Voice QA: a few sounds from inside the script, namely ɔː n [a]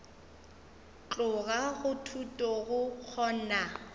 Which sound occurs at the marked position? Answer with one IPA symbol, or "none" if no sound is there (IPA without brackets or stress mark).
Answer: a